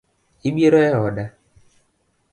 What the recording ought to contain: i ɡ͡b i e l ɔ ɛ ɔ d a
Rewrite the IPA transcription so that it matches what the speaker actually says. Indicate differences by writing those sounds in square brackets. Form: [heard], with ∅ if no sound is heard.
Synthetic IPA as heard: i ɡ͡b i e [ɾ] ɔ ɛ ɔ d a